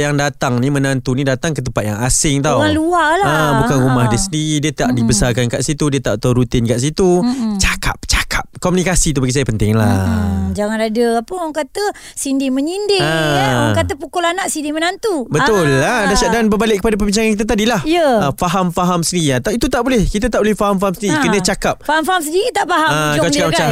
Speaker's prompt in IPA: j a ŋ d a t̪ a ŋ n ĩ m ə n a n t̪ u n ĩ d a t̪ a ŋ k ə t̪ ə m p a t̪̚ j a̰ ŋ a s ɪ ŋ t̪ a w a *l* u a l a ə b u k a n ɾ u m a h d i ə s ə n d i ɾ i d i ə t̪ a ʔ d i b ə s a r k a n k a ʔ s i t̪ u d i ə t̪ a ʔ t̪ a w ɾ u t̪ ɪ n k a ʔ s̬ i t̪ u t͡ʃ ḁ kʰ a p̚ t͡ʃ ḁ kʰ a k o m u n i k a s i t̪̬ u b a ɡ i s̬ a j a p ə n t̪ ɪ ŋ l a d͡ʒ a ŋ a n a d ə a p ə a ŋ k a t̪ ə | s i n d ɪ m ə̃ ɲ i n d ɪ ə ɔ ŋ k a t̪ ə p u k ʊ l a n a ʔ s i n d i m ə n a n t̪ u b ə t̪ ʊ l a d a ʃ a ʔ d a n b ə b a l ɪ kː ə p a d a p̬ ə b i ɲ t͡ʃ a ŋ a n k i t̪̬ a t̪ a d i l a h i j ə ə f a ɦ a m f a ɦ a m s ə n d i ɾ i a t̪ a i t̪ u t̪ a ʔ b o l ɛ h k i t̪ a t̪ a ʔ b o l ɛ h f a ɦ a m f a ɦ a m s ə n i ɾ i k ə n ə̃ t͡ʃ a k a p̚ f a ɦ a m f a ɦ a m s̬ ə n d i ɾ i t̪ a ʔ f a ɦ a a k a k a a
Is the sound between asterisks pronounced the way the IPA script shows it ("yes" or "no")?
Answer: yes